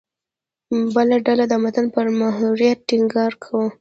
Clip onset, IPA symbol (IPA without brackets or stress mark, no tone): b